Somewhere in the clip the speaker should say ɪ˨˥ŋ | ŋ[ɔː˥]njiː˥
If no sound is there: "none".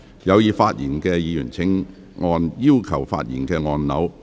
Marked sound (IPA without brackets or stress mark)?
ɔː˧